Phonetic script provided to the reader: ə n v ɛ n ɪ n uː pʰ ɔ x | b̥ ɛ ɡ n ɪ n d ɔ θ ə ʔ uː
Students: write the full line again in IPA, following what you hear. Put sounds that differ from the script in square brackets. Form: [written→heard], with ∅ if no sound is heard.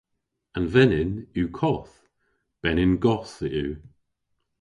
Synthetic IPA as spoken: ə n v ɛ n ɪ n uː [pʰ→kʰ] ɔ [x→θ] | b̥ ɛ [ɡ→∅] n ɪ n [d→ɡ] ɔ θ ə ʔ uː